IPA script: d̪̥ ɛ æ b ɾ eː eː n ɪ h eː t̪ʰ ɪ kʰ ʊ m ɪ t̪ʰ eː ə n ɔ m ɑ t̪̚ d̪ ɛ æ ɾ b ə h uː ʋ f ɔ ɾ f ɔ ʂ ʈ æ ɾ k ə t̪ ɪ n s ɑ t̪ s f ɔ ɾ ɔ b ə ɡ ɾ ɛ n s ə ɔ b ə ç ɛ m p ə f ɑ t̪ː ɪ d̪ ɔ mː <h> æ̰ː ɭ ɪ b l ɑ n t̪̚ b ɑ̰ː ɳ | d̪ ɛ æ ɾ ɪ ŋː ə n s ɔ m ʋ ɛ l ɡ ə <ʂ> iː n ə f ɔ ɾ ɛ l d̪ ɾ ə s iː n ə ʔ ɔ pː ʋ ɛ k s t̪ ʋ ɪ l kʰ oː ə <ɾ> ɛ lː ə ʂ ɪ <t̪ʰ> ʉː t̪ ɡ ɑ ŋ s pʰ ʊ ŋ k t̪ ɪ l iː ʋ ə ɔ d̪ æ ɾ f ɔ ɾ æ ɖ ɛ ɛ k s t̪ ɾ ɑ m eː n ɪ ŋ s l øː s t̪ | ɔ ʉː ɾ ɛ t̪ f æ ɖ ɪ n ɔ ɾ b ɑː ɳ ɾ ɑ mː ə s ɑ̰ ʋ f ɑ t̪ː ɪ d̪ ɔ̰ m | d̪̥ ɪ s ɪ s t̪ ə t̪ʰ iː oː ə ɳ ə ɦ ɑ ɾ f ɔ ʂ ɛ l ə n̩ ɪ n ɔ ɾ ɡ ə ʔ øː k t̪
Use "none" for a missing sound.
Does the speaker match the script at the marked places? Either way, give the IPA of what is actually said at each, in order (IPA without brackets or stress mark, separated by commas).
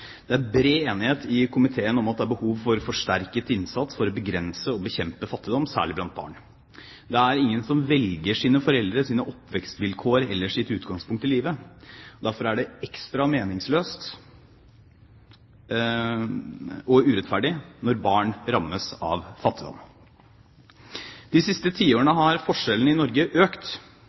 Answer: s, ʂ, ɾ, t̪